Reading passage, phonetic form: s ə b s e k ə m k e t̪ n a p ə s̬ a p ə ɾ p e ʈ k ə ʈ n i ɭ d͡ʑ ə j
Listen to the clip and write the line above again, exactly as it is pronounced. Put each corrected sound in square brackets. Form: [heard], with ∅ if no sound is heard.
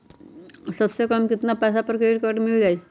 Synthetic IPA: s ə b s e k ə m k [i] t̪ n a p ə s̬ a p ə ɾ [k] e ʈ k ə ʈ [m] i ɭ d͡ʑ [a] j